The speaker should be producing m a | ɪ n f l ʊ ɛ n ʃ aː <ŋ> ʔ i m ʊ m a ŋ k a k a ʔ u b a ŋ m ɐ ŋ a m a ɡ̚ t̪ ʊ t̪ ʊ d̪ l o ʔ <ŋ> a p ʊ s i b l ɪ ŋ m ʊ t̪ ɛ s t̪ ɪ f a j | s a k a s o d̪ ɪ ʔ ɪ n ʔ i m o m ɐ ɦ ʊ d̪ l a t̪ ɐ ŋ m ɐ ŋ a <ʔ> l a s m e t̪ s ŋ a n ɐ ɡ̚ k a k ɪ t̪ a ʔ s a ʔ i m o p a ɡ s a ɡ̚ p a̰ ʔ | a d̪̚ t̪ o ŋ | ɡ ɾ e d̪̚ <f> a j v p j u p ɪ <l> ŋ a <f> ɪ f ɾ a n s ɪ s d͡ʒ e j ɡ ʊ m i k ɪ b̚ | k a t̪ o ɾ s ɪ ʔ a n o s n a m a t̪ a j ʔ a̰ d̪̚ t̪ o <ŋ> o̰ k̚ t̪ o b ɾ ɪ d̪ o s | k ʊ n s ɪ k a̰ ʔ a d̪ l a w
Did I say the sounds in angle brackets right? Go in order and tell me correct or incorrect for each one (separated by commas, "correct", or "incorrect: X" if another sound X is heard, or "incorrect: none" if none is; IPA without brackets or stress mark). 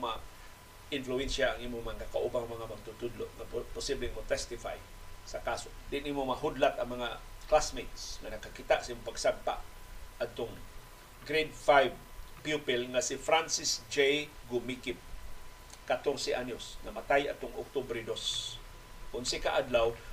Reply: correct, correct, incorrect: k, correct, correct, incorrect: s, correct